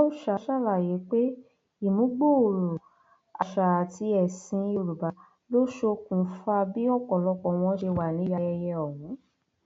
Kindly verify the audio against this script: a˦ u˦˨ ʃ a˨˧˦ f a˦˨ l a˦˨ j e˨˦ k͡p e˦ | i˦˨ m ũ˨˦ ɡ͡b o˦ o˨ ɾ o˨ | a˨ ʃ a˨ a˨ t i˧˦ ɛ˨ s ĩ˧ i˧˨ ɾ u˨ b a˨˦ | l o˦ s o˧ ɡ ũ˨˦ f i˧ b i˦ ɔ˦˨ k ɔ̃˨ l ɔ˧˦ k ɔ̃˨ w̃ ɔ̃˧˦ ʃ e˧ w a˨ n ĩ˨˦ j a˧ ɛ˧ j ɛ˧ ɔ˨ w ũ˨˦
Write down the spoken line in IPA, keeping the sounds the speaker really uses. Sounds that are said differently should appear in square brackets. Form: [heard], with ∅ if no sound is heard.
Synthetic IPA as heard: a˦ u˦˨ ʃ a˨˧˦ [ʃ] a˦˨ l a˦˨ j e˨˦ k͡p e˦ | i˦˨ m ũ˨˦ ɡ͡b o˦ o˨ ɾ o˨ | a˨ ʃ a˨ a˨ t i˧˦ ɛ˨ s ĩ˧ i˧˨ ɾ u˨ b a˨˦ | l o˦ [ʃ] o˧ [k] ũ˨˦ f [a˧] b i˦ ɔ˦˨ k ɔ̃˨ l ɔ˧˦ k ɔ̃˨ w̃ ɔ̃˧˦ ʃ e˧ w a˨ n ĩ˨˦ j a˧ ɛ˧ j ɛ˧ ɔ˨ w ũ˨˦